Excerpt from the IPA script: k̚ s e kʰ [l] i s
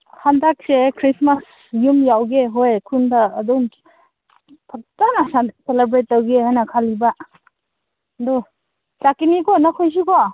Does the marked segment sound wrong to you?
yes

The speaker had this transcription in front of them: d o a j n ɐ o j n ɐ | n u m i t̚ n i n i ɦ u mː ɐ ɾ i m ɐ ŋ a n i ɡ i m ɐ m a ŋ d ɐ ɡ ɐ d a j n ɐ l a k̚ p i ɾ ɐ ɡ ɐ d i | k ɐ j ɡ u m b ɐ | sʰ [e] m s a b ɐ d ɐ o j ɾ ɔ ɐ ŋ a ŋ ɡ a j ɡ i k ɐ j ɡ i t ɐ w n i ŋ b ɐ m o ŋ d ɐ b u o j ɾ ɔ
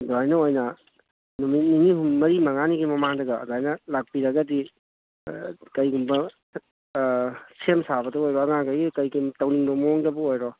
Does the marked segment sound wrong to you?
no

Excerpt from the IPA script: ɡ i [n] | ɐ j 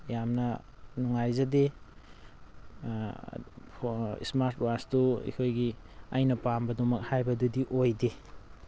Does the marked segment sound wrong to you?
yes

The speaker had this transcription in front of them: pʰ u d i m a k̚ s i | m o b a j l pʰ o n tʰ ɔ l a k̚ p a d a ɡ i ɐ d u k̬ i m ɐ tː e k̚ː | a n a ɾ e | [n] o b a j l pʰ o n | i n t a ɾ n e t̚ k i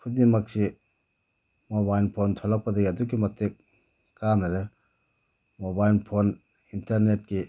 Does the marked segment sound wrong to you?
yes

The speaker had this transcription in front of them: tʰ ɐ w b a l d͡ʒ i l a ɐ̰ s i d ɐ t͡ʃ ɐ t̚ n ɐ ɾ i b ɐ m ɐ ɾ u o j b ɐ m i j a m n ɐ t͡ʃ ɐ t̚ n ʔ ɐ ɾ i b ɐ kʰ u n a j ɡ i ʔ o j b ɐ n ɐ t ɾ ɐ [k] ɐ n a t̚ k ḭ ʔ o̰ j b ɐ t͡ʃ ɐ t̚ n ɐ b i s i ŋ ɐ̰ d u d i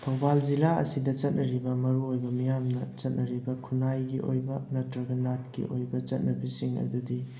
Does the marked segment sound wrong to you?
yes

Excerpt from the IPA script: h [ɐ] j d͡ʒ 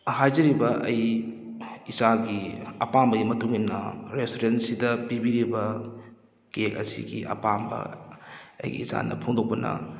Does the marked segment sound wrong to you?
yes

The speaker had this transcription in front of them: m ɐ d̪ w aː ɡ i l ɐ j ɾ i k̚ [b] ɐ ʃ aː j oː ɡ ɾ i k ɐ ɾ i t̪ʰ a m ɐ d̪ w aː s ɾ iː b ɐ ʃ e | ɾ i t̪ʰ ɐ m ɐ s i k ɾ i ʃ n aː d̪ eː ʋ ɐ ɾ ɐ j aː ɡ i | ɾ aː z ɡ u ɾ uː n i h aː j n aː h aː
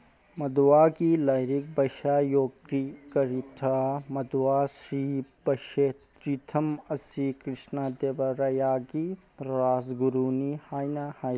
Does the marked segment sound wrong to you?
no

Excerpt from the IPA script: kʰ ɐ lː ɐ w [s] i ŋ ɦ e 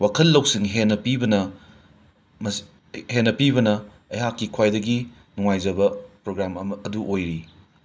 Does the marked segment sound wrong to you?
no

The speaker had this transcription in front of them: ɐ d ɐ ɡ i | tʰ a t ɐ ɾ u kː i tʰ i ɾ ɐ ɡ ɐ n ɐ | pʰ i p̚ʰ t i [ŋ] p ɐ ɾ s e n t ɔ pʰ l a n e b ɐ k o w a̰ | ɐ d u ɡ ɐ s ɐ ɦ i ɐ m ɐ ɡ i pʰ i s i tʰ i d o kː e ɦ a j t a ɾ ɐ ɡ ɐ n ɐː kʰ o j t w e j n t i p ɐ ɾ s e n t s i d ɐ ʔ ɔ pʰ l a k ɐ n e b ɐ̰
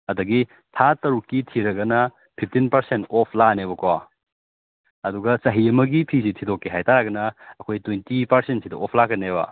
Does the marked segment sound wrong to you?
yes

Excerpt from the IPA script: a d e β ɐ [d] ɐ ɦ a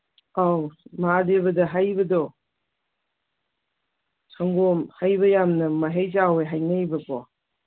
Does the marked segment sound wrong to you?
no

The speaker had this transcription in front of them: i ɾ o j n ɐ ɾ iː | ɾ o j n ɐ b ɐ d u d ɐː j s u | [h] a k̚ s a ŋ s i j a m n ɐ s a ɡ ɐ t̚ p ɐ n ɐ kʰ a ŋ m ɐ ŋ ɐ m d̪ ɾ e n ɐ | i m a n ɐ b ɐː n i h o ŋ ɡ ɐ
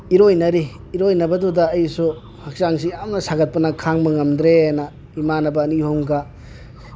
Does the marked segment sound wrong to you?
no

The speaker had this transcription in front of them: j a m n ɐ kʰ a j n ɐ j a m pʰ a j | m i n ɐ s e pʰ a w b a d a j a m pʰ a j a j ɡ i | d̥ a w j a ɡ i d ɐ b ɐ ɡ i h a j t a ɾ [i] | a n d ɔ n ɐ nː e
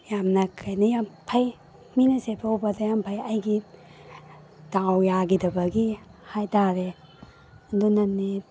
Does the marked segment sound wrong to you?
yes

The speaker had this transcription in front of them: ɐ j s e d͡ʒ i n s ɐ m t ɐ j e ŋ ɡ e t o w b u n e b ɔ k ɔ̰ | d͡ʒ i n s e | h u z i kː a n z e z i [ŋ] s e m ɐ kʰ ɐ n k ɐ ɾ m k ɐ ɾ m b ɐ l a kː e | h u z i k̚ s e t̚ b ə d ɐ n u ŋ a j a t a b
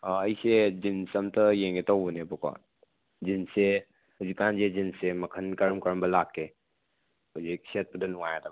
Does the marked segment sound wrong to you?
yes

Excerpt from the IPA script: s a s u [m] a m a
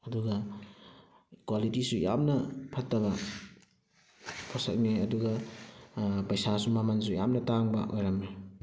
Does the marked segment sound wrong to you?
no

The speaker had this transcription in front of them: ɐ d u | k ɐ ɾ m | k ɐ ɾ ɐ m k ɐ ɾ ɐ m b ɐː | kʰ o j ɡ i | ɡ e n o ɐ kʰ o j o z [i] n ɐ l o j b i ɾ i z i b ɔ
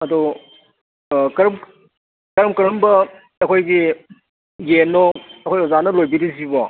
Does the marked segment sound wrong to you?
yes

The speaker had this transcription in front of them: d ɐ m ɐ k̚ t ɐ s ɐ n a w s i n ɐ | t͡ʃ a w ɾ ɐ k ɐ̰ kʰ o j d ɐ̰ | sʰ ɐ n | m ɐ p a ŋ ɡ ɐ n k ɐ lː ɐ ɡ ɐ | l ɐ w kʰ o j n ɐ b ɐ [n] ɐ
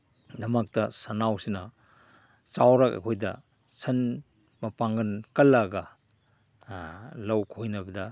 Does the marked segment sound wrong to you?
yes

